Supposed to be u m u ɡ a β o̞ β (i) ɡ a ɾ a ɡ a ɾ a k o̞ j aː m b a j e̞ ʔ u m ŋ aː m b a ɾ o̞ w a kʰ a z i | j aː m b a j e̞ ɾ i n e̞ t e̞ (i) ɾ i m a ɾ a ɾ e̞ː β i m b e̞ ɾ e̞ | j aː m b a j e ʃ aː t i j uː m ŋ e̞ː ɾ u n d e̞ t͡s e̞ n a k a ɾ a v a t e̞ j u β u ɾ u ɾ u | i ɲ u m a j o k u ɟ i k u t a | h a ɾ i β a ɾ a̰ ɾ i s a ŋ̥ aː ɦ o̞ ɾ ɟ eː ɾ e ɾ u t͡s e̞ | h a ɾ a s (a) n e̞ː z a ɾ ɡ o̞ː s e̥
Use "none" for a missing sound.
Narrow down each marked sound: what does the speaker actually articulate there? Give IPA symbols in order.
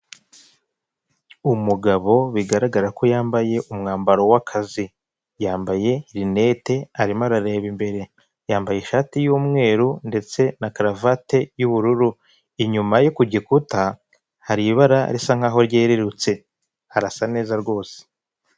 i, a, a

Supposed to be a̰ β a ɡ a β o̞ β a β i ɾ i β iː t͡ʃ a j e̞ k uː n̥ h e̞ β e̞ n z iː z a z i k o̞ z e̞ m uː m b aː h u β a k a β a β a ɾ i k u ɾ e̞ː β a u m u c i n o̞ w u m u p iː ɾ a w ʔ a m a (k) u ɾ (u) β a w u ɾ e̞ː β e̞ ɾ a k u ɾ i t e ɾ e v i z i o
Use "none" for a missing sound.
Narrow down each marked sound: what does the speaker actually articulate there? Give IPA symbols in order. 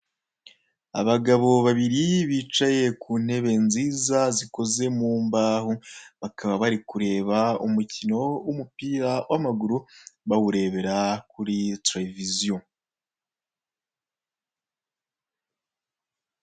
ɡ, u

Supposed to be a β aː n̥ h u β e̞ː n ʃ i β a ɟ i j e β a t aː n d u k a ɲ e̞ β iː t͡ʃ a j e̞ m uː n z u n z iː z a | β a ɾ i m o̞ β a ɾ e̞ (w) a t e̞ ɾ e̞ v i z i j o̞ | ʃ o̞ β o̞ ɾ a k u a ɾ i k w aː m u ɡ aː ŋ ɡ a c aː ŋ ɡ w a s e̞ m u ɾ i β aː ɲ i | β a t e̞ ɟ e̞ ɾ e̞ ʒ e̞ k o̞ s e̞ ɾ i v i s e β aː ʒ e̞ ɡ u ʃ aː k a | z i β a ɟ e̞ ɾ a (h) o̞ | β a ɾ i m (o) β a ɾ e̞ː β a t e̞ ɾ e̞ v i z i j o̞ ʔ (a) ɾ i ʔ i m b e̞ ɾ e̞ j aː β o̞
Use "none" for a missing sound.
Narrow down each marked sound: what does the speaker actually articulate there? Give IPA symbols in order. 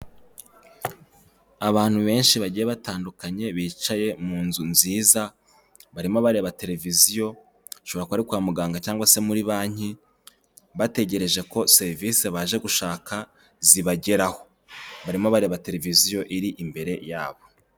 β, h, o, i

